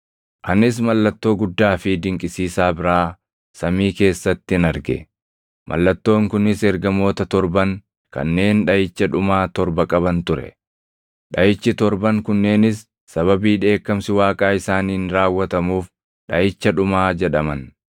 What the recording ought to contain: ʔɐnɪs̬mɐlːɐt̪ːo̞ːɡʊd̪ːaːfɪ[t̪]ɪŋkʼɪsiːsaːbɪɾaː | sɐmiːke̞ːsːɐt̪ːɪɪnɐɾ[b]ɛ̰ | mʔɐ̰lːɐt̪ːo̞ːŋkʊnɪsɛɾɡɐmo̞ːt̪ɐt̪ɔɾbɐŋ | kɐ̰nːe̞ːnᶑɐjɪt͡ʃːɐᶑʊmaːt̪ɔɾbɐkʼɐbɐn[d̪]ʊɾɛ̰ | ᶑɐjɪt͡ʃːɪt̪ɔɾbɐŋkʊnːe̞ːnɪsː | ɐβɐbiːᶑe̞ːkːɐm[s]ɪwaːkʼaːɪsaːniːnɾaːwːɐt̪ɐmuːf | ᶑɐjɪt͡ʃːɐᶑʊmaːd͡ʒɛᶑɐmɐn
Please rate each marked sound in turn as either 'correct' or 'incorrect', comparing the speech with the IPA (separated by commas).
incorrect, incorrect, incorrect, correct